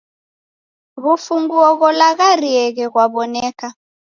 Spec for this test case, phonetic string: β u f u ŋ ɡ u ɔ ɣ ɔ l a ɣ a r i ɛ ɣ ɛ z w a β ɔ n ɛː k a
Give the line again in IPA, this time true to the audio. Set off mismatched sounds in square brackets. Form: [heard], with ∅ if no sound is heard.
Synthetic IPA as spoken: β u f u ŋ ɡ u ɔ ɣ ɔ l a ɣ a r i ɛ ɣ ɛ [ɣ] w a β ɔ n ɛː k a